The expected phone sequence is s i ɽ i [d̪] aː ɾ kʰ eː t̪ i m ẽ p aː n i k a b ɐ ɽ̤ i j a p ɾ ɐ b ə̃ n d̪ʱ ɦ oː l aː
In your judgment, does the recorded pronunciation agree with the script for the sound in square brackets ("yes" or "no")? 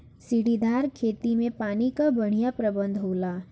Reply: yes